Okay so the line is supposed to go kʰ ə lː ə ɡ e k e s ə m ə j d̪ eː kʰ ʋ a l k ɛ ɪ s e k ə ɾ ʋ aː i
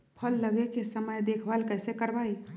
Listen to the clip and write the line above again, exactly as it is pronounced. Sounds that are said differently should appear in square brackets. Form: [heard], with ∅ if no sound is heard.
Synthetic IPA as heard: [pʰ] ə lː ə ɡ e k e s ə m ə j d̪ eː kʰ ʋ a l k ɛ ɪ s e k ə ɾ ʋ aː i